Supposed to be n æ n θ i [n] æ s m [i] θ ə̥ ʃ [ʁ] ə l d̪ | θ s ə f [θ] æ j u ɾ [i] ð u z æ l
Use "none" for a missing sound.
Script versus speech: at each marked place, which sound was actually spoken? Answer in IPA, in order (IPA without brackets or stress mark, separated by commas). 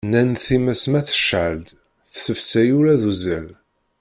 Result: m, æ, ʕ, s, æ